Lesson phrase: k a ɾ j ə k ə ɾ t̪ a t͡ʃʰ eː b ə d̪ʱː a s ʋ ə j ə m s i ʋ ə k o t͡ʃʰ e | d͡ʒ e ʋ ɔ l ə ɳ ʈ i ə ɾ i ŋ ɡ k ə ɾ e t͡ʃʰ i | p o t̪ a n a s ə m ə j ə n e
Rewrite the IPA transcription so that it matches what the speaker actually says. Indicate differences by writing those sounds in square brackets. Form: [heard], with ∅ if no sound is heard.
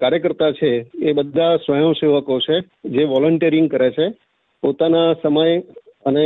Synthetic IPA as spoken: k a ɾ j ə k ə ɾ t̪ a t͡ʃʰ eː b ə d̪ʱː a s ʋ ə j ə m s [e] ʋ ə k o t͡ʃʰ e | d͡ʒ e ʋ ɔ l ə ɳ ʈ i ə ɾ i ŋ ɡ k ə ɾ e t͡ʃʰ [e] | p o t̪ a n a s ə m ə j ə n e